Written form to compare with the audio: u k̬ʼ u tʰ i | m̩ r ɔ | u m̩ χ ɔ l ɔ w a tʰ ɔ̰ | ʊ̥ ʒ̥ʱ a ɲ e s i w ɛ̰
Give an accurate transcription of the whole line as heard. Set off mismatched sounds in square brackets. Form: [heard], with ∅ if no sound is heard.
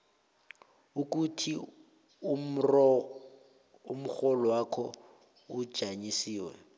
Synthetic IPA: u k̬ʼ u tʰ i | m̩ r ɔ | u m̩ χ ɔ l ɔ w a [kʰ] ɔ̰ | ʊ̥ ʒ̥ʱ a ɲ [i] s [iː] w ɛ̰